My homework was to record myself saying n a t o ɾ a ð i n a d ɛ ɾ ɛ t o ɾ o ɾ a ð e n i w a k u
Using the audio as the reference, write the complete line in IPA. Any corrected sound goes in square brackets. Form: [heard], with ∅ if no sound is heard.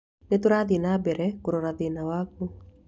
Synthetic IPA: n [e] t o ɾ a ð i n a [b] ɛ ɾ ɛ [k] o ɾ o ɾ a ð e n [a] w a k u